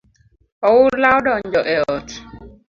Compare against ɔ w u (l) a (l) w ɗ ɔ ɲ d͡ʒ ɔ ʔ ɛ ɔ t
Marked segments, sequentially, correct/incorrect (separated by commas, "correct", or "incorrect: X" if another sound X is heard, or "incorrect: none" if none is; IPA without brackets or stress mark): correct, incorrect: none